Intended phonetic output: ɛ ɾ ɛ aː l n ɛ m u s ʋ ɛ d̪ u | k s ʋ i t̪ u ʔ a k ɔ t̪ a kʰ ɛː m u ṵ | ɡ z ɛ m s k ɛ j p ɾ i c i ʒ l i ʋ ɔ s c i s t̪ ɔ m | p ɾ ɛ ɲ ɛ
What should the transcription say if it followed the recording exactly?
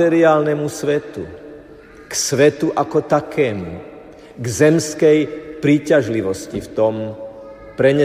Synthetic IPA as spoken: ɛ ɾ i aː l n ɛ m u s ʋ ɛ t̪ u | k s ʋ ɛ t̪ u ʔ a k ɔ t̪ a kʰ ɛː m u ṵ | ɡ z ɛ m s k ɛ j p ɾ iː c a ʒ l i ʋ ɔ s c i f t̪ ɔ m | p ɾ ɛ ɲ ɛ